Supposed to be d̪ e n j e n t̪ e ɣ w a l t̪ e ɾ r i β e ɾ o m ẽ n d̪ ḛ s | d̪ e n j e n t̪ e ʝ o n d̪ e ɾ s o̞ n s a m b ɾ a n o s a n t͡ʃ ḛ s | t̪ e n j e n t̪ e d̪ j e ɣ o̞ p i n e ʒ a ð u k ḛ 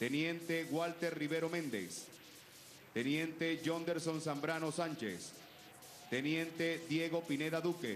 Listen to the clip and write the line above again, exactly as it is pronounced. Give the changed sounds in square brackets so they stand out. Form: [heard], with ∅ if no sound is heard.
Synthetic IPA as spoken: [t̪] e n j e n t̪ e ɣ w a l t̪ e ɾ r i β e ɾ o m ẽ n d̪ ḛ s | [t̪] e n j e n t̪ e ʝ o n d̪ e ɾ s o̞ n s a m b ɾ a n o s a n t͡ʃ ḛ s | t̪ e n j e n t̪ e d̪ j e ɣ o̞ p i n e [ð] a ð u k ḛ